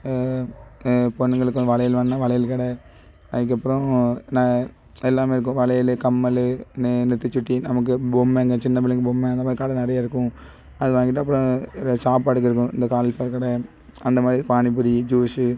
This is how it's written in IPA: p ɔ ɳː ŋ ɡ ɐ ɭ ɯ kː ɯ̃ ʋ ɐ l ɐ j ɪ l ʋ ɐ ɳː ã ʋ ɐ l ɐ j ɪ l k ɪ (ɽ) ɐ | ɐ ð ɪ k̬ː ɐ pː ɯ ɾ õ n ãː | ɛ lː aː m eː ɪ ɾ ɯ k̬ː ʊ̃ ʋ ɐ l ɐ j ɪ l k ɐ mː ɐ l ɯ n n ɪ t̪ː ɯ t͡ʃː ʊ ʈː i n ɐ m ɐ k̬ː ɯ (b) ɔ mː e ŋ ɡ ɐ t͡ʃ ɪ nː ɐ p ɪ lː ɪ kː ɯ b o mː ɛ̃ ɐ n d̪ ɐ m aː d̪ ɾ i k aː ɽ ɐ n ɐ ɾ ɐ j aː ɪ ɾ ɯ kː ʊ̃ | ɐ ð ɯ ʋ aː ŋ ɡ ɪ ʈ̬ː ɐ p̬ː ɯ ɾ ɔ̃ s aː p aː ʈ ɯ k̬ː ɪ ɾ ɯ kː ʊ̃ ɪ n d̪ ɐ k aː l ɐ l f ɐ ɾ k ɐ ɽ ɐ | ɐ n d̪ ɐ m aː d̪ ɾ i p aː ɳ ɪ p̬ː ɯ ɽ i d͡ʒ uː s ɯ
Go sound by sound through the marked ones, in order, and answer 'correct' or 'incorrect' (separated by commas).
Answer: correct, correct